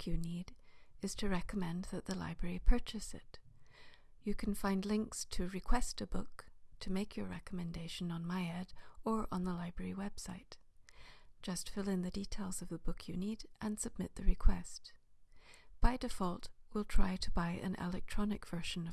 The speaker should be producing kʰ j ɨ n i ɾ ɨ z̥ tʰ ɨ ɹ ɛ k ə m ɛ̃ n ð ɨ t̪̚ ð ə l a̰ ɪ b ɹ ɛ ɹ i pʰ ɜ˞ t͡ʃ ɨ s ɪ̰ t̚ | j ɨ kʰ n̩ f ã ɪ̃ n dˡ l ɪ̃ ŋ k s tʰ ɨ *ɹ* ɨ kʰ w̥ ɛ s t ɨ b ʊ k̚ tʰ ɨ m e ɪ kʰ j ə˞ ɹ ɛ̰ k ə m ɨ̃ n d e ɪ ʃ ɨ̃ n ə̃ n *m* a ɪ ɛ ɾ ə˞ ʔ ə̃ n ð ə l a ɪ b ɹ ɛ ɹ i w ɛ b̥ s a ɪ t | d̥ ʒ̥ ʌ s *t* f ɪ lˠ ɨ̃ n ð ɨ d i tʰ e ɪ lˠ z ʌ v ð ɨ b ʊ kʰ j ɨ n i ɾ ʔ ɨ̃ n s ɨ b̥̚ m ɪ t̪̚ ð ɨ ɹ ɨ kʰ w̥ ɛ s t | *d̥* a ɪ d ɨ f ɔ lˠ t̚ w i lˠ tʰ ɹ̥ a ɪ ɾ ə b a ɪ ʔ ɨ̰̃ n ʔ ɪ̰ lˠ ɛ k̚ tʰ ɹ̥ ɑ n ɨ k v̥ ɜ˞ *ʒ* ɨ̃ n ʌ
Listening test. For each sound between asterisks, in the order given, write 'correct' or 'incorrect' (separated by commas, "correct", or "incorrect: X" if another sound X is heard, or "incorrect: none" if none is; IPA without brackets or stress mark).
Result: correct, correct, correct, incorrect: b̥, incorrect: ʃ